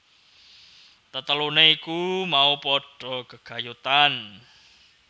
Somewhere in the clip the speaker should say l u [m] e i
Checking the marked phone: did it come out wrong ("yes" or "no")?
yes